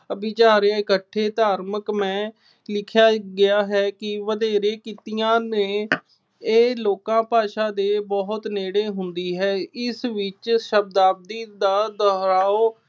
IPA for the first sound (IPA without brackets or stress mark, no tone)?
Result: ə